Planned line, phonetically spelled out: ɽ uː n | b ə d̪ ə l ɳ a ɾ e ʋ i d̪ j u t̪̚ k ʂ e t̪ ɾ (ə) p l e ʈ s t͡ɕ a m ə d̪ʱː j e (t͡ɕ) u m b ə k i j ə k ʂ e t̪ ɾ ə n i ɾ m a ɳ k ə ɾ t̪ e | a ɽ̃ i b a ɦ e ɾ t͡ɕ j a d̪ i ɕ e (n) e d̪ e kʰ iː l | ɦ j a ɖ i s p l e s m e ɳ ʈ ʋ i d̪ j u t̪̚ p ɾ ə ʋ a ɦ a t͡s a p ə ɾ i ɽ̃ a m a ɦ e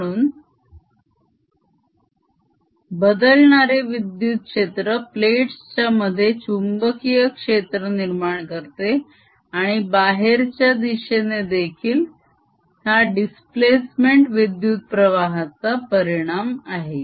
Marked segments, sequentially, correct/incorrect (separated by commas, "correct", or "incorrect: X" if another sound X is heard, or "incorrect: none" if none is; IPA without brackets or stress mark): correct, correct, correct